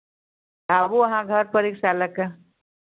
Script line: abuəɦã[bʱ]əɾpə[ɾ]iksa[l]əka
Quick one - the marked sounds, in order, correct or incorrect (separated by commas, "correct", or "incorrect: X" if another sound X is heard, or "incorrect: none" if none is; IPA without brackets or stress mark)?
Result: incorrect: ɡʱ, correct, correct